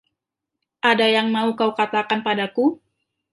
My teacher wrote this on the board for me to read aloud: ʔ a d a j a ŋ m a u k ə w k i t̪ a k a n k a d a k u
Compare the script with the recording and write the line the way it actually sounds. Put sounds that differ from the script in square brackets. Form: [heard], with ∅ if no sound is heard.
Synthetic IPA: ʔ a d a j a ŋ m a u k [a] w k [a] t̪ a k a n [p] a d a k u